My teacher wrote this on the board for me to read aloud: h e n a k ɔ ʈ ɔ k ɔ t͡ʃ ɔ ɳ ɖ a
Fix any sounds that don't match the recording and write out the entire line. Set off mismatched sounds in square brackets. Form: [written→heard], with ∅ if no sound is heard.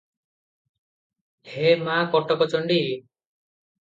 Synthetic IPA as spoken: h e [n→m] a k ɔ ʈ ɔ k ɔ t͡ʃ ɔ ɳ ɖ [a→i]